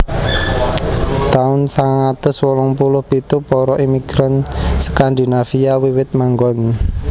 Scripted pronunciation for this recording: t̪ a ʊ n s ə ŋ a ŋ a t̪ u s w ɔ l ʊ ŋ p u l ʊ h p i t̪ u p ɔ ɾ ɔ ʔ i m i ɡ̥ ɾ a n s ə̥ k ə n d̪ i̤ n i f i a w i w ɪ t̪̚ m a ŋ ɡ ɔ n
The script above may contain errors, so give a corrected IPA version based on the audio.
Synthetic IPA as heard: t̪ a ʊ n s a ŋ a ŋ a t̪ ʊ s w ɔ l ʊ ŋ p u l ʊ h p i t̪ u p ɔ ɾ ɔ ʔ i m i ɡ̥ ɾ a n s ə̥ k a n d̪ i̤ n a f i a w i w ɪ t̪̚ m a ŋ ɡ ɔ n